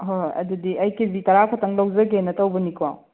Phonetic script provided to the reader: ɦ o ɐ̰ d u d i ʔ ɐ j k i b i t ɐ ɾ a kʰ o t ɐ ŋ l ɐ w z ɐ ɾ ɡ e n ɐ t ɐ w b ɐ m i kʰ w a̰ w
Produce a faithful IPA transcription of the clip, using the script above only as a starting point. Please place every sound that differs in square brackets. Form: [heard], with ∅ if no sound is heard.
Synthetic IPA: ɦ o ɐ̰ d u d i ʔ ɐ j k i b i t ɐ ɾ a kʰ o t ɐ ŋ l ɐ w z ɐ [∅] ɡ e n ɐ t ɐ w b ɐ [n] i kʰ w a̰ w